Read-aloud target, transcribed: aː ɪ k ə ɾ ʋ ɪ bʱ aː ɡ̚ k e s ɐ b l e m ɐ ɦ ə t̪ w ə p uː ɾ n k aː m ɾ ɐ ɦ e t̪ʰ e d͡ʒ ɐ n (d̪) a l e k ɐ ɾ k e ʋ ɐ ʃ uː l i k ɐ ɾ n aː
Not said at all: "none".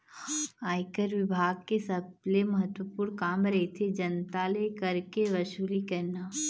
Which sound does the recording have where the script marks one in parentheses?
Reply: t̪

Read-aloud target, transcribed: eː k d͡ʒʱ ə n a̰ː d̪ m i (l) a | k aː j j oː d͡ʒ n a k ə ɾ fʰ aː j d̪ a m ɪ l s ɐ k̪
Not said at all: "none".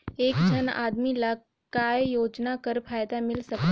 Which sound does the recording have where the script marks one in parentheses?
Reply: l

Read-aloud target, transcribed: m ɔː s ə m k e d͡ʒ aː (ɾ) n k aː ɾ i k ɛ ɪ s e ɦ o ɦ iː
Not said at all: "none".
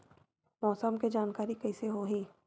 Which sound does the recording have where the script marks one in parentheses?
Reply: none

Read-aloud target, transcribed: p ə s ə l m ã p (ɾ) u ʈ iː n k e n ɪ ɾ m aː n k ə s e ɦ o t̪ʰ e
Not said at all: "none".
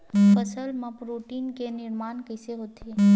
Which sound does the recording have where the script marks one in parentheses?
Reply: ɾ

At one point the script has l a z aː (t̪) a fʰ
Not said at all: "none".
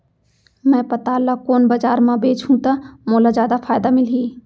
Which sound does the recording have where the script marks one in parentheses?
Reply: d̪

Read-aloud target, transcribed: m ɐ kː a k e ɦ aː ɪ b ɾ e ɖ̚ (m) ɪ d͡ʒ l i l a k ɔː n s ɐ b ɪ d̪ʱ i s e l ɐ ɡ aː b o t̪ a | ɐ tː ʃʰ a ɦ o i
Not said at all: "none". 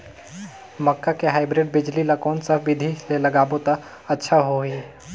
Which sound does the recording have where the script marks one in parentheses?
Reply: b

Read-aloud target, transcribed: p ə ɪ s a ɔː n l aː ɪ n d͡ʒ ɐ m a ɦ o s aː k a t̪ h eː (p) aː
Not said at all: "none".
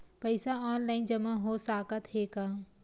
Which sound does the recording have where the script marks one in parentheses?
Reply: k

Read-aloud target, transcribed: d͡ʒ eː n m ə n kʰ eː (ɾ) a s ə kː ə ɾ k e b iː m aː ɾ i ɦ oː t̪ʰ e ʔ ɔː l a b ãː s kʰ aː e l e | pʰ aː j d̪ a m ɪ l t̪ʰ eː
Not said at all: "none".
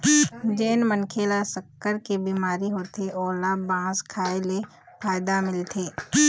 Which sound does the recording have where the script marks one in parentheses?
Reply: l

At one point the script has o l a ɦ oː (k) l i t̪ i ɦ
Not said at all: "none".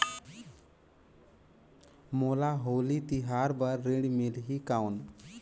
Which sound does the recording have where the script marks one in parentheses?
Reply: none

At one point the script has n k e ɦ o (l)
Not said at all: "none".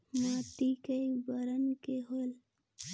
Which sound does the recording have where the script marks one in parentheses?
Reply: l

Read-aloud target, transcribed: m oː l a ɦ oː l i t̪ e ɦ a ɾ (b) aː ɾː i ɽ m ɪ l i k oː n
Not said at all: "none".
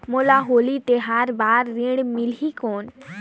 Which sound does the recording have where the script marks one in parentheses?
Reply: b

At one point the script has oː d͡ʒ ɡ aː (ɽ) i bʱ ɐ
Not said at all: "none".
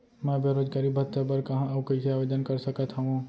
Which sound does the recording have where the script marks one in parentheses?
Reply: ɾ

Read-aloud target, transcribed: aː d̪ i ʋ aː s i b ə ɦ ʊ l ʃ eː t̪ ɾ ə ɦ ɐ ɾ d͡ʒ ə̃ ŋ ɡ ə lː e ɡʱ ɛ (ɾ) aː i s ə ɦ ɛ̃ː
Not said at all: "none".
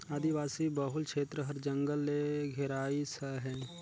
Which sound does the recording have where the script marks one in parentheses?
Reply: ɾ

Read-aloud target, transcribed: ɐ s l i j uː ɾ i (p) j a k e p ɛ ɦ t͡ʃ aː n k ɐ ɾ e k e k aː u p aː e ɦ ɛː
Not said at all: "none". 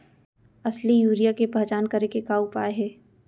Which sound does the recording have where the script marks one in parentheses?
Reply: none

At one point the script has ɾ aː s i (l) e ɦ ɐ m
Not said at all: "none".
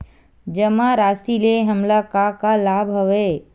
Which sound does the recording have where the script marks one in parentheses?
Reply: l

